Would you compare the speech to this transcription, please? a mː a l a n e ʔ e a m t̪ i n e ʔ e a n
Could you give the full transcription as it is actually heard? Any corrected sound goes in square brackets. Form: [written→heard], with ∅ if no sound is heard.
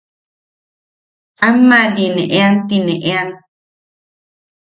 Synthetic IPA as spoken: a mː a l [a→i] n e ʔ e a [m→n] t̪ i n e ʔ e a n